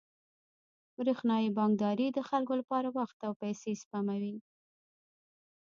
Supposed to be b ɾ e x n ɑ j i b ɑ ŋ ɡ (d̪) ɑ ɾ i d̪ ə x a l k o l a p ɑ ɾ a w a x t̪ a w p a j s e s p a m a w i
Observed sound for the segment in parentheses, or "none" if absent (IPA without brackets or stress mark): d̪